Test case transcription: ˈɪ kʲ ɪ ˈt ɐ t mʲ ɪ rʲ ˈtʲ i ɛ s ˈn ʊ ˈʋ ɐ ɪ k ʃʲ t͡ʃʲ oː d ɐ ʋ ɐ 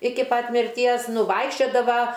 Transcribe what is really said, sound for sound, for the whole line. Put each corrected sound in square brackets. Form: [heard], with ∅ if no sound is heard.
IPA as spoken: ˈɪ kʲ ɪ [ˈp] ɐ t mʲ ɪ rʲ ˈtʲ i ɛ s ˈn ʊ ˈʋ ɐ ɪ k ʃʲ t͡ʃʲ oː d ɐ ʋ ɐ